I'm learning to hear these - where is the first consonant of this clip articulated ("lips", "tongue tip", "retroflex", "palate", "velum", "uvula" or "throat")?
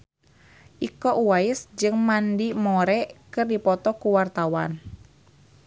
throat